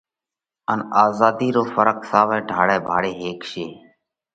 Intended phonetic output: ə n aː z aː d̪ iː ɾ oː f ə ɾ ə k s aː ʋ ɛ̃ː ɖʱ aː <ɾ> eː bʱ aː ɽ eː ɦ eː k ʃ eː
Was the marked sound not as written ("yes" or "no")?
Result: yes